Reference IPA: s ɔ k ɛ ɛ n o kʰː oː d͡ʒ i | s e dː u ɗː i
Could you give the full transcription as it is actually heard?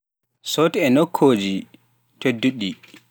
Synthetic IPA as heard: s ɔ t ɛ ɛ n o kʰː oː d͡ʒ i | t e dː u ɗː i